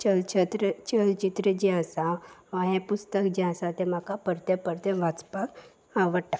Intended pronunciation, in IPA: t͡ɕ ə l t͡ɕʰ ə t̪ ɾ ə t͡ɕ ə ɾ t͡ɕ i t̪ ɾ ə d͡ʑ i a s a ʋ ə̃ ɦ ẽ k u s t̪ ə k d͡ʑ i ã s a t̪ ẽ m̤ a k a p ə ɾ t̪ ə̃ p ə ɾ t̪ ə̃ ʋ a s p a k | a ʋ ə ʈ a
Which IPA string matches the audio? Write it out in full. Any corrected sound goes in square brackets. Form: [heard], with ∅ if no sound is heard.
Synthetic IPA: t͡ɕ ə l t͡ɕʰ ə t̪ ɾ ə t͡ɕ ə [l] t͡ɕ i t̪ ɾ ə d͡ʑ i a s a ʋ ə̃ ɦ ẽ [p] u s t̪ ə k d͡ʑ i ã s a t̪ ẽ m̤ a k a p ə ɾ t̪ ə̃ p ə ɾ t̪ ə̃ ʋ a [t͡s] p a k | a ʋ ə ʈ a